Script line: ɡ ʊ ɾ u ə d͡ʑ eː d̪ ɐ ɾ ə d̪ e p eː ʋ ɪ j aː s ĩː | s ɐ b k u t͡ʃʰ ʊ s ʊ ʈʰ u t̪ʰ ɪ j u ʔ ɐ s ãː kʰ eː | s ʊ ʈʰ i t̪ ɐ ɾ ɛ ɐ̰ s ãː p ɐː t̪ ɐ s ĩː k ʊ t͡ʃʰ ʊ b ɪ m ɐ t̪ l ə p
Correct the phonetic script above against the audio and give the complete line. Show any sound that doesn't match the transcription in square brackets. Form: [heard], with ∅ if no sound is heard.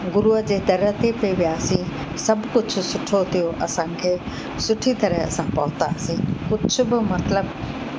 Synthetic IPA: ɡ ʊ ɾ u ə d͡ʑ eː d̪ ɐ ɾ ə [t̪] e p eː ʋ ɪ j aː s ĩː | s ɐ b k [ʊ] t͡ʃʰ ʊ s ʊ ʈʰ [o] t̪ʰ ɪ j [o] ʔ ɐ s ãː kʰ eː | s ʊ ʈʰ i t̪ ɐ ɾ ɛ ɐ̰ s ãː p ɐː t̪ [a] s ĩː k ʊ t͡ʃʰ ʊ b ɪ m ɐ t̪ l ə [b]

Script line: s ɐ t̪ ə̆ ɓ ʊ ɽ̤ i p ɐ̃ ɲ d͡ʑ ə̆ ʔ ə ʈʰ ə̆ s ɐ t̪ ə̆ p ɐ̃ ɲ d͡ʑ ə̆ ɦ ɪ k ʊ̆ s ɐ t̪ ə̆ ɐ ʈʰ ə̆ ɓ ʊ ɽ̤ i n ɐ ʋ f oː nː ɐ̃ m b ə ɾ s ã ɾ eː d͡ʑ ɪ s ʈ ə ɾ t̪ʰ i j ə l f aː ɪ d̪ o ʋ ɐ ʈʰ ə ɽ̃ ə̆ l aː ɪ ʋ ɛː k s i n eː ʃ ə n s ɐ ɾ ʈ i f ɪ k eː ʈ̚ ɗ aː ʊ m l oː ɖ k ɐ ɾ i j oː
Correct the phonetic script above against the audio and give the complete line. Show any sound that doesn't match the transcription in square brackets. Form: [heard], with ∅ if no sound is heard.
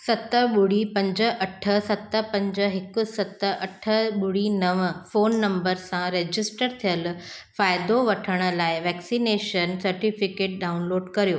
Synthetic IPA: s ɐ t̪ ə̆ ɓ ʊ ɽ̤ i p ɐ̃ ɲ d͡ʑ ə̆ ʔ [ɐ] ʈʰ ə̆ s ɐ t̪ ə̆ p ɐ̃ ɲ d͡ʑ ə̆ ɦ ɪ k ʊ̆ s ɐ t̪ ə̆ ɐ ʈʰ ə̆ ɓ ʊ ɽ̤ i n ɐ ʋ f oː nː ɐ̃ m b ə ɾ s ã ɾ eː d͡ʑ ɪ s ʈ ə ɾ t̪ʰ i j ə l f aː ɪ d̪ o ʋ ɐ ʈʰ ə ɽ̃ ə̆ l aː ɪ ʋ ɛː k s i n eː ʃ ə n s ɐ ɾ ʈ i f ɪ k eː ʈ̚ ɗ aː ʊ [n] l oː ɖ k ɐ ɾ i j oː

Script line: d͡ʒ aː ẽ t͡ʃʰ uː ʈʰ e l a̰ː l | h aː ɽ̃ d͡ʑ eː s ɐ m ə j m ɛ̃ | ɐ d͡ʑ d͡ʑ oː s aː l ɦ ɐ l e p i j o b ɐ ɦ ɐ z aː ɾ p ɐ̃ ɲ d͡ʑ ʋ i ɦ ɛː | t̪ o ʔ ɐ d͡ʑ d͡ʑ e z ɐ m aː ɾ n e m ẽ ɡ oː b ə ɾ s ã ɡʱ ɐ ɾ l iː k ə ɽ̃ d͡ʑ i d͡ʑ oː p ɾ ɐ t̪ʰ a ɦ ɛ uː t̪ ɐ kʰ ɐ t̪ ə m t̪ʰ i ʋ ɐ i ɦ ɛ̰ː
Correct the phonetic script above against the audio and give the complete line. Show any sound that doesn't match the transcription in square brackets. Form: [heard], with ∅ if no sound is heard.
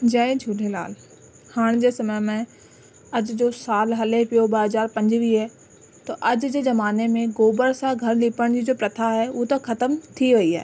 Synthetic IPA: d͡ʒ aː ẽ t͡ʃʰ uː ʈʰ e l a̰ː l | h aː ɽ̃ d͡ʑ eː s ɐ m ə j m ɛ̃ | ɐ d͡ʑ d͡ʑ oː s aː l ɦ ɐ l e p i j o b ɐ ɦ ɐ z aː ɾ p ɐ̃ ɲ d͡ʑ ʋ i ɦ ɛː | t̪ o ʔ ɐ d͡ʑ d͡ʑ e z ɐ m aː [∅] n e m ẽ ɡ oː b ə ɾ s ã ɡʱ ɐ ɾ l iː [p] ə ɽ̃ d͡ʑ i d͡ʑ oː p ɾ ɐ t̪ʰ a ɦ ɛ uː t̪ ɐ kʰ ɐ t̪ ə m t̪ʰ i ʋ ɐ i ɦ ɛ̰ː

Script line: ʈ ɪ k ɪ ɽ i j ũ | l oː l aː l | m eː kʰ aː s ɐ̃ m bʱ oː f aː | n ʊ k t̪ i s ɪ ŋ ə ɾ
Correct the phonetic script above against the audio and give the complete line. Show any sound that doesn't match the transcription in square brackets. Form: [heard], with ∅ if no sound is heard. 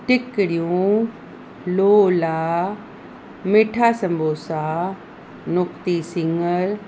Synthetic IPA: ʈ ɪ k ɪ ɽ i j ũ | l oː l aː [∅] | m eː [ʈʰ] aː s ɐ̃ m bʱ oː [s] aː | n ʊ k t̪ i s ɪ ŋ ə ɾ

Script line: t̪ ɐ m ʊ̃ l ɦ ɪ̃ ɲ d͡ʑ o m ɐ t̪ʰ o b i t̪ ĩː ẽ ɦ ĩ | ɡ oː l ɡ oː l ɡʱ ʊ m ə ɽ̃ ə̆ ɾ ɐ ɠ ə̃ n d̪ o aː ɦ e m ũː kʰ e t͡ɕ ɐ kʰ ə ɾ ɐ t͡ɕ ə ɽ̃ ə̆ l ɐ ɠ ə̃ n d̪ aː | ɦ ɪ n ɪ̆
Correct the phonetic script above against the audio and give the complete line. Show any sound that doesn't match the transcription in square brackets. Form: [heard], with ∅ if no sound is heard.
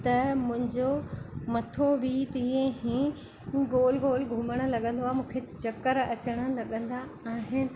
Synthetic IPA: t̪ ɐ m ʊ̃ [∅] ɦ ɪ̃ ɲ d͡ʑ o m ɐ t̪ʰ o b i t̪ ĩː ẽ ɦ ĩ | ɡ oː l ɡ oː l ɡʱ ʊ m ə ɽ̃ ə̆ [l] ɐ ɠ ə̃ n d̪ o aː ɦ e m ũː kʰ e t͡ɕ ɐ [k] ə ɾ ɐ t͡ɕ ə ɽ̃ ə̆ l ɐ ɠ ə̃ n d̪ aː | ɦ ɪ n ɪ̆

